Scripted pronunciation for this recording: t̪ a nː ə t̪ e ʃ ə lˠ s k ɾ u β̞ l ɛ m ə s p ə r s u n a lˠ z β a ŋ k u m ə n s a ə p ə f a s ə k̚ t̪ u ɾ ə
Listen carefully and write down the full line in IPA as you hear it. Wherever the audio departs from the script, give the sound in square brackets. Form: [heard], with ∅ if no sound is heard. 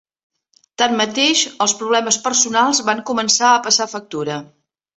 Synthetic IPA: t̪ a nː ə t̪ e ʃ ə lˠ s [p] ɾ u β̞ l ɛ m ə s p ə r s u n a lˠ z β a ŋ k u m ə n s a ə p ə [s] a [f] ə k̚ t̪ u ɾ ə